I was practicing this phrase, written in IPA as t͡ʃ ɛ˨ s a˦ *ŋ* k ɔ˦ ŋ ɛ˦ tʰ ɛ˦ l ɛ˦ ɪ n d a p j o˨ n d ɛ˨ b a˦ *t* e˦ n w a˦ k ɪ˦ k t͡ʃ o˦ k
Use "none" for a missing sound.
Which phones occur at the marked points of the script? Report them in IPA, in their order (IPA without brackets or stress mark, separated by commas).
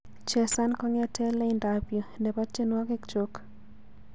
n, t͡ʃ